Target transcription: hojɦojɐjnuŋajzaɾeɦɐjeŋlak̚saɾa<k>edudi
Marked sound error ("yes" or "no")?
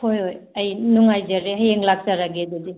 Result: yes